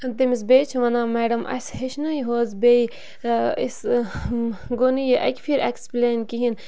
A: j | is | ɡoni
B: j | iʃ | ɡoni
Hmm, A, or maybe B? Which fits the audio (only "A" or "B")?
A